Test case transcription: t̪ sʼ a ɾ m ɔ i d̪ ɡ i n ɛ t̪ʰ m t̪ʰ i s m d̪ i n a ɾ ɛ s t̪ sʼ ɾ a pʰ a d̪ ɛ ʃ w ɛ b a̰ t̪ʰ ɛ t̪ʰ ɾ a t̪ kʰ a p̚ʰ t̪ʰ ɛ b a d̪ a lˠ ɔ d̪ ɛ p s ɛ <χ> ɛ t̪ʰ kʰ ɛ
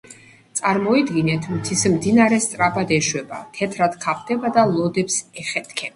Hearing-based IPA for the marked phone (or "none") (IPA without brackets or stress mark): χ